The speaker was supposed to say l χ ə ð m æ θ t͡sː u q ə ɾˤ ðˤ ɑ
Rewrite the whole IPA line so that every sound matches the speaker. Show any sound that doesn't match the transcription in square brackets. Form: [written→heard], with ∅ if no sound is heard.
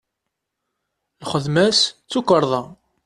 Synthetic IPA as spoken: l χ ə ð m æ [θ→s] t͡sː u [q→k] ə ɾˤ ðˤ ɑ